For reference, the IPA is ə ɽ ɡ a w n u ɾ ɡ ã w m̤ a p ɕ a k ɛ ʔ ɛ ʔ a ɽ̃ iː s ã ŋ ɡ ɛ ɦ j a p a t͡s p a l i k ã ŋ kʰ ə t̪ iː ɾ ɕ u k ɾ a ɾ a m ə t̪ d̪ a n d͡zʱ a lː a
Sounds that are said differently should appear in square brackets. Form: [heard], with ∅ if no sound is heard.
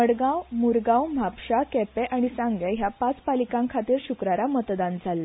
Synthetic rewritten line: ə ɽ ɡ a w [m] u ɾ ɡ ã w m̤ a p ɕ a k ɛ [p] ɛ ʔ a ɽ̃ [i] s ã ŋ ɡ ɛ ɦ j a p a t͡s p a l i k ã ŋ kʰ [a] t̪ iː ɾ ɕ u k ɾ a ɾ a m ə t̪ d̪ a n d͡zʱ a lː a